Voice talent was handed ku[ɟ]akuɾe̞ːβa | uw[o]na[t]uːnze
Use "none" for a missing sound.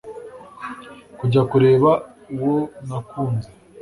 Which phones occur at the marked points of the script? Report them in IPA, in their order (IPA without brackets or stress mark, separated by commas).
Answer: ɟ, o, k